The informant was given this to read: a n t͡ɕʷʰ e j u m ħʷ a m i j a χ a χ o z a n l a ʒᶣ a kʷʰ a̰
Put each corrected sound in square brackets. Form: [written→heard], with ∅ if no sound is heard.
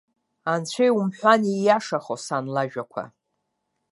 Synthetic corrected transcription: a n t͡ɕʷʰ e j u m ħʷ a [m→n] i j a [χ→ʂ] a χ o [z→s] a n l a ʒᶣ a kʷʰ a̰